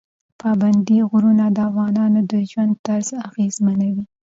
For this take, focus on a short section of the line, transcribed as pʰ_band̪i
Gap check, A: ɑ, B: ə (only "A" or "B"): A